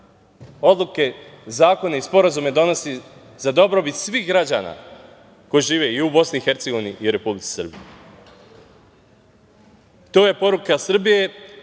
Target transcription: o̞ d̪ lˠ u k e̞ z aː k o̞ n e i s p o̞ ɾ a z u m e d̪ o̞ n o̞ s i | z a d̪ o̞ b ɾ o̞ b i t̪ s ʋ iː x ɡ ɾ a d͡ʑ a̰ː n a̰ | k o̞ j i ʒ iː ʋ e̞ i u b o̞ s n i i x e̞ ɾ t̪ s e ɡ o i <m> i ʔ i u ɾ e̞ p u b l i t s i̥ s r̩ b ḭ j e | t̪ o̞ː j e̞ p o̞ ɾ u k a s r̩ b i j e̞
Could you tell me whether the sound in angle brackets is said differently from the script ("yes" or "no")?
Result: yes